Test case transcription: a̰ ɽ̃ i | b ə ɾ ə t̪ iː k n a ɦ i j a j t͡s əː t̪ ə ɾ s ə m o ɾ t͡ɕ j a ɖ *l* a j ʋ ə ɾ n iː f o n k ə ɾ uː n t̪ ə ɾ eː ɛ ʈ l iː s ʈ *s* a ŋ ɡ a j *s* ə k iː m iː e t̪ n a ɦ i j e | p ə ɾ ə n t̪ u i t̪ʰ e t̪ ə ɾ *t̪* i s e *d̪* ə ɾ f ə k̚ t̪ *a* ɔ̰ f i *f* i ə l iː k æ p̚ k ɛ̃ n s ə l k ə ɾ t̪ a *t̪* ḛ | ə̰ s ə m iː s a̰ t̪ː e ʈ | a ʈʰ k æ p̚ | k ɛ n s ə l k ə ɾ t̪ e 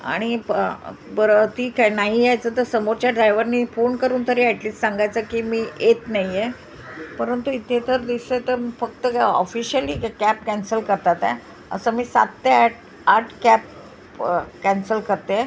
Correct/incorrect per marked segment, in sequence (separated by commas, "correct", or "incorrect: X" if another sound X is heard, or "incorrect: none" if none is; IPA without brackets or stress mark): incorrect: ɾ, correct, incorrect: t͡s, incorrect: d̪, incorrect: t̪, incorrect: ə, incorrect: ɕ, correct